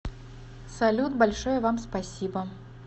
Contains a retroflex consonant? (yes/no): yes